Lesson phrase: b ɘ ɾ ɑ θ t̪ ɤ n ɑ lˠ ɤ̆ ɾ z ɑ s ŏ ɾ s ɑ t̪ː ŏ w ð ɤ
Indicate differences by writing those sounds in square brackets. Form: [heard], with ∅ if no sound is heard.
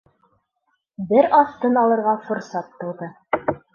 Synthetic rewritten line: b ɘ ɾ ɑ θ t̪ ɤ n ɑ lˠ ɤ̆ ɾ [ʁ] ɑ [f] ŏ ɾ s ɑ t̪ː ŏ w ð ɤ